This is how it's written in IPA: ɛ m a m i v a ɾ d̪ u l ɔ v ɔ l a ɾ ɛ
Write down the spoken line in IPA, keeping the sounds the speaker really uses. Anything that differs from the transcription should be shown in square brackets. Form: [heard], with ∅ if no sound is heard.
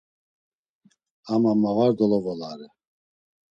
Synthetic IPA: [a] m a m [a] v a ɾ d̪ [ɔ] l ɔ v ɔ l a ɾ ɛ